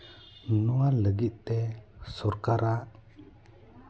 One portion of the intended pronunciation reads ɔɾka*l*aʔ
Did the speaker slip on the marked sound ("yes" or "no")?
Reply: yes